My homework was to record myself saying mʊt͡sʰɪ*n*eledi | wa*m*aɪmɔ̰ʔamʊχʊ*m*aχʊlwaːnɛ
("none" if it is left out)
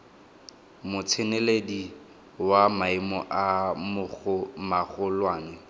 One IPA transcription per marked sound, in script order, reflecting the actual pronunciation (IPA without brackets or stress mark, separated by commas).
n, m, m